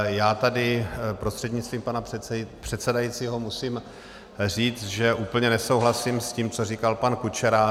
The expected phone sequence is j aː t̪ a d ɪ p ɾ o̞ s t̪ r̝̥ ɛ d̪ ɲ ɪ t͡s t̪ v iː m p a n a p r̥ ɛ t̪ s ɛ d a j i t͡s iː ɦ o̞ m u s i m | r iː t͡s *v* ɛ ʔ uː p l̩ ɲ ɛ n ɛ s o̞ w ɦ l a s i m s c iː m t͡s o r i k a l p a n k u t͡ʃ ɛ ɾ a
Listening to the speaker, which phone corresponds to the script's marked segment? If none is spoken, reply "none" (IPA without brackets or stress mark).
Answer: ʒ